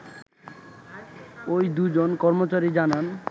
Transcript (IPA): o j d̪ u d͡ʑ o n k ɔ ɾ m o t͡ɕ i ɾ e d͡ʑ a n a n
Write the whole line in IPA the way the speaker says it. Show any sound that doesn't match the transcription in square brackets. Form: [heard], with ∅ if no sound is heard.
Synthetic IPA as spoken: o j d̪ u d͡ʑ o n k ɔ ɾ m o t͡ɕ [a] ɾ [i] d͡ʑ a n a n